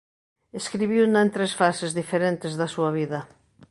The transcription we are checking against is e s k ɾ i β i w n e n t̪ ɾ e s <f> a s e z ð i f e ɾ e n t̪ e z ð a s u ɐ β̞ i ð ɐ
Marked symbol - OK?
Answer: yes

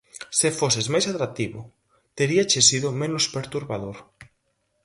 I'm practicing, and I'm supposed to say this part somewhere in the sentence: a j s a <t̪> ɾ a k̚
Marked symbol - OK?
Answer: yes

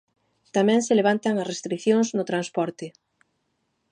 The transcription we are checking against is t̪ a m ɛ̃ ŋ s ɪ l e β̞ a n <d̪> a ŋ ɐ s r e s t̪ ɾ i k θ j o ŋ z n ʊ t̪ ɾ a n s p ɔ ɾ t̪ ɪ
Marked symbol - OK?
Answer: no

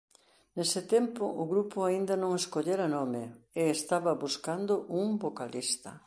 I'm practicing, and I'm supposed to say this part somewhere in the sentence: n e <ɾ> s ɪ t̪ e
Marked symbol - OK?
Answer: no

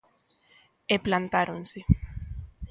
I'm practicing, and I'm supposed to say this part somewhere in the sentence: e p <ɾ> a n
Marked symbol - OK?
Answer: no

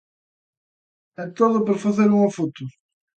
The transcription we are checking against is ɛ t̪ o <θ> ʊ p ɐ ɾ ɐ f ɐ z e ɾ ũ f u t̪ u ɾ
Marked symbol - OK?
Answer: no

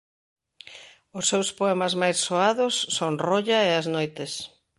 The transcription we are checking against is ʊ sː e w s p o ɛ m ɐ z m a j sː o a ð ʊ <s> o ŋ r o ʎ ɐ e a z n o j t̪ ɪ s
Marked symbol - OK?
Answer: no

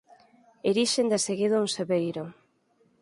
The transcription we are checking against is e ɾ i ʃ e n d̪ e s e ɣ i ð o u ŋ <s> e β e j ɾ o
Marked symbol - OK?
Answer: yes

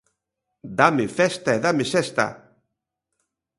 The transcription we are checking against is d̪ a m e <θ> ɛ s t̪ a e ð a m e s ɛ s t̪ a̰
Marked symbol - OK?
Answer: no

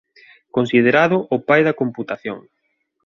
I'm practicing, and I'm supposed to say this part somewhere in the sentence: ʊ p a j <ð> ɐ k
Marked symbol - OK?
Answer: yes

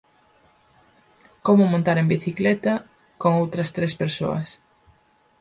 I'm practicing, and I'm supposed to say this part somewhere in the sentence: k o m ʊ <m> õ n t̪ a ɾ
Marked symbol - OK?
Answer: yes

